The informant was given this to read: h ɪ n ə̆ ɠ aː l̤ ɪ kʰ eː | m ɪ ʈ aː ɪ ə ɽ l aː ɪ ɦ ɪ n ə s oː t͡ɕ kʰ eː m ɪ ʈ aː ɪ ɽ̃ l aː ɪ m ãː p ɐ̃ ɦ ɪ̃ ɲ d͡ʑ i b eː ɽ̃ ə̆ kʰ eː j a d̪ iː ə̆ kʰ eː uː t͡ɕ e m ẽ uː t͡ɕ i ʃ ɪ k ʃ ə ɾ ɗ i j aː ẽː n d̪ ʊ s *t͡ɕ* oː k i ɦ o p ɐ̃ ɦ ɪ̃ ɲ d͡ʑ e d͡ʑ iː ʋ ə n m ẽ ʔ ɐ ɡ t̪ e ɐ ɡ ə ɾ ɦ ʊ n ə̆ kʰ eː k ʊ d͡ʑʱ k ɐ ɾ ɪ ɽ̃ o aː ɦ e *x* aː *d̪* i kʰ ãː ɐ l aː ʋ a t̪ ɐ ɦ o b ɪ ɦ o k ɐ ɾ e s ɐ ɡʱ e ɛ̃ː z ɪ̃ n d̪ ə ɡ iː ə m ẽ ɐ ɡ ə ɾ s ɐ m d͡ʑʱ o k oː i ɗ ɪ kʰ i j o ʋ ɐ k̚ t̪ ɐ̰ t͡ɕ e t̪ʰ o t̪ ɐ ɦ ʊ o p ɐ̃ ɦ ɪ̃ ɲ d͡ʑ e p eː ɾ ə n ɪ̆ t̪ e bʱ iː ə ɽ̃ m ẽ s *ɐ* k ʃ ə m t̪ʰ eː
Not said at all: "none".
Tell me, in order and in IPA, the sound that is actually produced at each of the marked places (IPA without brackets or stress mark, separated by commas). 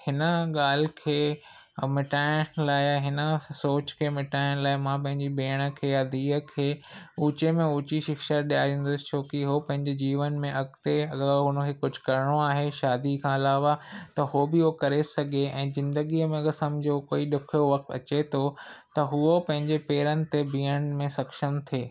t͡ɕʰ, ʃ, d̪, ɐ